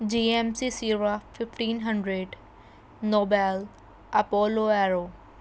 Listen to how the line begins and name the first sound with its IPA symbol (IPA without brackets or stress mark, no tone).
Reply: d͡ʒ